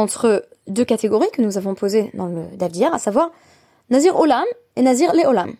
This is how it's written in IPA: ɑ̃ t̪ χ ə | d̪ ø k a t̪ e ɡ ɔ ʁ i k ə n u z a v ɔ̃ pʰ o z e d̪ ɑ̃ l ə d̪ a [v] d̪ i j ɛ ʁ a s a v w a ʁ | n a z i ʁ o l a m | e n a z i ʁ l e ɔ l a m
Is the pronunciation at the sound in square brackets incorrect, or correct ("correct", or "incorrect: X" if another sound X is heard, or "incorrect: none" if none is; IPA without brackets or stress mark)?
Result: correct